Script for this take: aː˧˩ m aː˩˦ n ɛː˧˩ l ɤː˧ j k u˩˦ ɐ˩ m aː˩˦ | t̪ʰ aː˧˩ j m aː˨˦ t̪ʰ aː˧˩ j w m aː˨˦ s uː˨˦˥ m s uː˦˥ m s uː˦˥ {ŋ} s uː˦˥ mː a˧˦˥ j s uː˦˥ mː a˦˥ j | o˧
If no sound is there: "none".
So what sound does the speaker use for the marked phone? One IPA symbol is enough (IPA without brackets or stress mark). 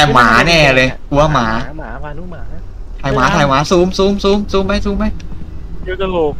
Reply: m